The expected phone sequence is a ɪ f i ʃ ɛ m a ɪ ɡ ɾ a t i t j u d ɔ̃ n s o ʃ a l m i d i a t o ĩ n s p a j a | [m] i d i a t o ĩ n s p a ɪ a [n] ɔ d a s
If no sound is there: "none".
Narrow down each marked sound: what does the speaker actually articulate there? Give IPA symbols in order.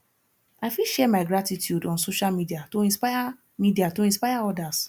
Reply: m, none

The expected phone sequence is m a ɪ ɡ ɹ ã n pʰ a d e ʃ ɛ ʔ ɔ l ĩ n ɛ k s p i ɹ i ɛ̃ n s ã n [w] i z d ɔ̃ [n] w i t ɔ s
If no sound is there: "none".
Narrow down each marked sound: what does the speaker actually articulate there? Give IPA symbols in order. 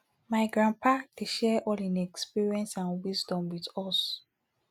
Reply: w, m

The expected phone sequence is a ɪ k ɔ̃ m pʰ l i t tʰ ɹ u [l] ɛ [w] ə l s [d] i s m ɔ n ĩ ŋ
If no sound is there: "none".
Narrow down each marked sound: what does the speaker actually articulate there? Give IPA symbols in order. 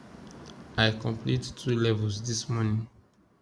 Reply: l, v, d

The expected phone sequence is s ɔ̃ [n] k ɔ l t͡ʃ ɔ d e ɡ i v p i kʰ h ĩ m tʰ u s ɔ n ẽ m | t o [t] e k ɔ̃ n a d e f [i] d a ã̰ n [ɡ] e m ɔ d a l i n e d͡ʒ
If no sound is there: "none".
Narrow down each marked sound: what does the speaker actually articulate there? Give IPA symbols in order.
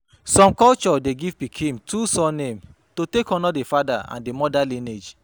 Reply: m, t, a, d

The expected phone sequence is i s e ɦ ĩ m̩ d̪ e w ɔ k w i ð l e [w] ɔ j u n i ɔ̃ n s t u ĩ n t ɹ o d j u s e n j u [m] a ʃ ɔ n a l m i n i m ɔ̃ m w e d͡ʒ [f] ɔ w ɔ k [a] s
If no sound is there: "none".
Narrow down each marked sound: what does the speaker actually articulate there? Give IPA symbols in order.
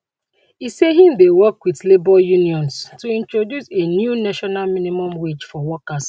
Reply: b, n, f, a

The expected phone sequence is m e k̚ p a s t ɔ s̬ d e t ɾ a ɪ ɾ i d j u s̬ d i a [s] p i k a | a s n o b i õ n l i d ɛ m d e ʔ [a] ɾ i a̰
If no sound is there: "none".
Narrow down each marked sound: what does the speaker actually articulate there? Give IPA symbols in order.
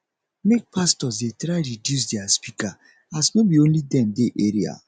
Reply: s, e

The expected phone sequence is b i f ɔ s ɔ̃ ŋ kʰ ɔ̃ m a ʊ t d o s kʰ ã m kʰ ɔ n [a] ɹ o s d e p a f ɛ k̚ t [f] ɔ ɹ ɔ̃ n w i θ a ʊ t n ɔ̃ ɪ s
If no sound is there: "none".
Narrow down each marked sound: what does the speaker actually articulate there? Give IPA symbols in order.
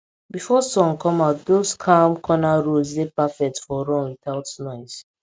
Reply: a, f

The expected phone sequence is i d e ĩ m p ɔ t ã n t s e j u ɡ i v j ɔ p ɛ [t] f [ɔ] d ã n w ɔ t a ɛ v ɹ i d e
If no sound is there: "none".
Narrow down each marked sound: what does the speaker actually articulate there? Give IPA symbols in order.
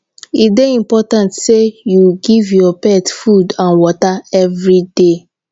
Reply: t, u

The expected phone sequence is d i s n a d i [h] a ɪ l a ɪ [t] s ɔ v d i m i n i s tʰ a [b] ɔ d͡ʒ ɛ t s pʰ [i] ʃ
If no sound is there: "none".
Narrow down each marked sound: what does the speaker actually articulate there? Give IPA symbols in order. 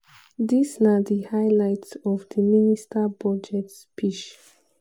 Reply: h, t, b, i

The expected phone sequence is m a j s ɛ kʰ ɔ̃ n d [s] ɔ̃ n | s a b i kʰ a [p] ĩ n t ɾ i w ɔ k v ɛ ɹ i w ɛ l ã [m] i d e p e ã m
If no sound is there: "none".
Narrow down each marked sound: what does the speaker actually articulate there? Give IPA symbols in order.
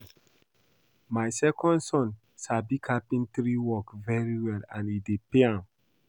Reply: s, p, n

